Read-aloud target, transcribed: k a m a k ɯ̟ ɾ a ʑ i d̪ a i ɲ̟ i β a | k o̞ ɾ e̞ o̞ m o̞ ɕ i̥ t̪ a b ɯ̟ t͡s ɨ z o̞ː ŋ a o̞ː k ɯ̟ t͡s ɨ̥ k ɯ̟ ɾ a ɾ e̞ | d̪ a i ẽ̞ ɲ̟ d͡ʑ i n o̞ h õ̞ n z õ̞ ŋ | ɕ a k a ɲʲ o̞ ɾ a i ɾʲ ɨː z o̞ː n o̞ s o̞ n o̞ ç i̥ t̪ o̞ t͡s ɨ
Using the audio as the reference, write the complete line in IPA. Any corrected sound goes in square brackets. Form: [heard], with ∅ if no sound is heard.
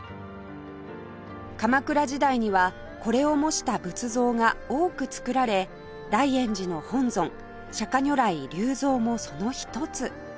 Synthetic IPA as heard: k a m a k ɯ̟ ɾ a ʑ i d̪ a i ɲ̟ i β a | k o̞ ɾ e̞ o̞ m o̞ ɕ i̥ t̪ a b ɯ̟ t͡s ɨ z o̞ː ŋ a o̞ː k ɯ̟ t͡s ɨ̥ k ɯ̟ ɾ a ɾ e̞ | d̪ a i ẽ̞ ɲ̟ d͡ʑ i n o̞ h õ̞ n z õ̞ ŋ | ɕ a k a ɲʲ o̞ ɾ a i ɾʲ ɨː z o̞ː [m] o̞ s o̞ n o̞ ç i̥ t̪ o̞ t͡s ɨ